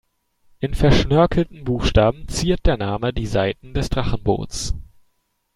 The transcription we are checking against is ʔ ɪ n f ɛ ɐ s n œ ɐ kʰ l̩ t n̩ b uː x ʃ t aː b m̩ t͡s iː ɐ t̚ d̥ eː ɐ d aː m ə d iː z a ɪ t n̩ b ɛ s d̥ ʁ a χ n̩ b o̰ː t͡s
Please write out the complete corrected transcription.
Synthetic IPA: ʔ ɪ n f ɛ ɐ ʃ n œ ɐ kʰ l̩ t n̩ b uː x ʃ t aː b m̩ t͡s iː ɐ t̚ d̥ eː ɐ n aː m ə d iː z a ɪ t n̩ d ɛ s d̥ ʁ a χ n̩ b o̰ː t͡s